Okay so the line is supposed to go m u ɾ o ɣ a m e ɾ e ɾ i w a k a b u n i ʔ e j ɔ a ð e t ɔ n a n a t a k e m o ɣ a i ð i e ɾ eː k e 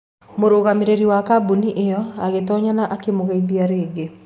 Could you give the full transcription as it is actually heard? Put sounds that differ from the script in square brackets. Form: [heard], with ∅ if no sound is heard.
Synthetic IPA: m [o] ɾ o ɣ a m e ɾ e ɾ i w a k a b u n i ʔ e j ɔ a [ɣ] e t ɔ [ɲ] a n a [ʔ] a k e m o ɣ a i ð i [a] ɾ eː [ɡ] e

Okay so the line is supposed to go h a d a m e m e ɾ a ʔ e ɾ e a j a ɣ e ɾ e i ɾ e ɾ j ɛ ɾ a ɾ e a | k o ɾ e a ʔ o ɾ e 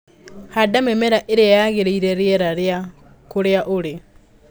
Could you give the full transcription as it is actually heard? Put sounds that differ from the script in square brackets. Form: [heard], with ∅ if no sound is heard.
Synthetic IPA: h a d a m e m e ɾ a ʔ e ɾ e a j a ɣ e ɾ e i ɾ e ɾ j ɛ ɾ a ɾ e a | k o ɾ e a ʔ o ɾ e

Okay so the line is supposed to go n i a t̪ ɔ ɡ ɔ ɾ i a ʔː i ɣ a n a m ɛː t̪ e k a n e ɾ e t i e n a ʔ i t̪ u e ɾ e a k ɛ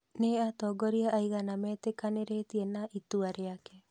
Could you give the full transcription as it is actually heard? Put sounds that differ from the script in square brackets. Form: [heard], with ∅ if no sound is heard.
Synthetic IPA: n [e] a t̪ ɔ ɡ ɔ ɾ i a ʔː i ɣ a n a m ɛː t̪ e k a n e ɾ e t i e n a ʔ i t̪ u [a] ɾ e a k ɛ

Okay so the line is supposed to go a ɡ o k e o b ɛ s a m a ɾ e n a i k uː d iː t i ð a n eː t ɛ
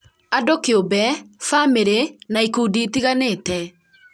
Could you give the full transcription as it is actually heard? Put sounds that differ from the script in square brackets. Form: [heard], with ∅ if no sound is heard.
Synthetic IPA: a [d] o k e o b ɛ [f] a m [e] ɾ e n a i k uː d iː t i [ɣ] a n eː t ɛ

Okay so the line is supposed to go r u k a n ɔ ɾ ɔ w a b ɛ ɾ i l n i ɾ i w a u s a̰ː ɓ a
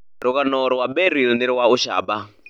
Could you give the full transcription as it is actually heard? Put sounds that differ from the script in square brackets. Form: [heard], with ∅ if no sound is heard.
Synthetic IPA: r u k a n ɔ ɾ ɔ w a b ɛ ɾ i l n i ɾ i w a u [ʃ] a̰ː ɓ a

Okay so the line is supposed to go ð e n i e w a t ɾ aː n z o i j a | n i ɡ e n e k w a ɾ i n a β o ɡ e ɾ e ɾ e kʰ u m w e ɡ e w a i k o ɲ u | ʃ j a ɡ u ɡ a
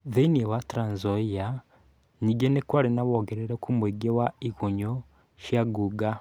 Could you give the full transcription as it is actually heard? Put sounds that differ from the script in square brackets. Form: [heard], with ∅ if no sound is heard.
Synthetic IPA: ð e n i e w a t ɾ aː n z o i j a | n i ɡ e n e k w a ɾ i n a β o ɡ e ɾ e ɾ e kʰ u m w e ɡ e w a i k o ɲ [o] | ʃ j a ɡ u ɡ a

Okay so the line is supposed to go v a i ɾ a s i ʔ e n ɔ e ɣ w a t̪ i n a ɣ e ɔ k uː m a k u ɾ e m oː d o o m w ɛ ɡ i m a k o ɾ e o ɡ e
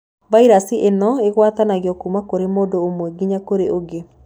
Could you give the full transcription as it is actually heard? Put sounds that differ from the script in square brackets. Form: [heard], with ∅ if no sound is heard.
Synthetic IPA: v a i ɾ a s i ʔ e n ɔ e ɣ w a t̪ [a] n a ɣ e ɔ k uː m a k [o] ɾ e m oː d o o m w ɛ ɡ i [ɲ] a k o ɾ e o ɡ e

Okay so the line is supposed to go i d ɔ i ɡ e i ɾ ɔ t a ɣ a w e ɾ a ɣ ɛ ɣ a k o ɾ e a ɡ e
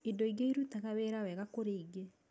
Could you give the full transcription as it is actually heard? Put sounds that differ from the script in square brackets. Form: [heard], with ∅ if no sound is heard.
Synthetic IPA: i d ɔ i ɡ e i ɾ [u] t a ɣ a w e ɾ a [w] ɛ ɣ a k o ɾ e [i] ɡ e

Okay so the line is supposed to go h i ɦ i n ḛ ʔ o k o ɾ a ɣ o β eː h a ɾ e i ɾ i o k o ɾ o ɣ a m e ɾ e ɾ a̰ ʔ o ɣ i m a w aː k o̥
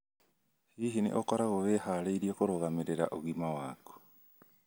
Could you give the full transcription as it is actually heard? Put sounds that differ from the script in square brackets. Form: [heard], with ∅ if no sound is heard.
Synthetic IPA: h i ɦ i n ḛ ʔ o k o ɾ a ɣ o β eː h a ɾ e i ɾ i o k o ɾ o ɣ a m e ɾ e ɾ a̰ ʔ o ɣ i m a w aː k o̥

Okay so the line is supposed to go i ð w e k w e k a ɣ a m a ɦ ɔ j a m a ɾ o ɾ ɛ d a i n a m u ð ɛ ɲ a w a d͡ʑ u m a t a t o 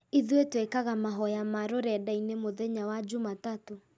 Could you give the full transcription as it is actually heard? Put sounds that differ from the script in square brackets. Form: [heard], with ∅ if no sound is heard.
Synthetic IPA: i ð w e [t] w e k a ɣ a m a ɦ ɔ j a m a ɾ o ɾ ɛ d a i n [e] m [o] ð ɛ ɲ a w a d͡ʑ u m a t a t o

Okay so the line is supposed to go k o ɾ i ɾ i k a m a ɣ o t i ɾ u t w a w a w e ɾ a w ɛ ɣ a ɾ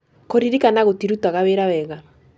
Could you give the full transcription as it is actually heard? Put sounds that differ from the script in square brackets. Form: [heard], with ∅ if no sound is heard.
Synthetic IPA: k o ɾ i ɾ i k a [n] a ɣ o t i ɾ u t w a [ɣ] a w e ɾ a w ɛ ɣ a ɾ

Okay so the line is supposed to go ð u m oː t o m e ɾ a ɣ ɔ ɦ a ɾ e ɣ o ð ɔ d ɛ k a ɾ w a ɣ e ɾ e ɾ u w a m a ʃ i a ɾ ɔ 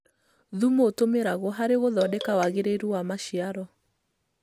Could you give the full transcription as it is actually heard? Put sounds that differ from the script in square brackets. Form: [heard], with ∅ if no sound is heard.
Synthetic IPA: ð u m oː t o m e ɾ a ɣ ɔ ɦ a ɾ e ɣ o ð ɔ d ɛ k a [∅] w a ɣ e ɾ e ɾ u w a m a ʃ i a ɾ ɔ

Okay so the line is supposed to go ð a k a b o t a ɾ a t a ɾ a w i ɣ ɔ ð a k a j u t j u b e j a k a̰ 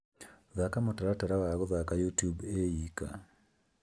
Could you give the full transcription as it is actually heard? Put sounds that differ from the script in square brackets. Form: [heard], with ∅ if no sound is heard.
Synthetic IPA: ð a k a [m] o t a ɾ a t a ɾ a w [a] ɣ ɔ ð a k a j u t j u b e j [i] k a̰

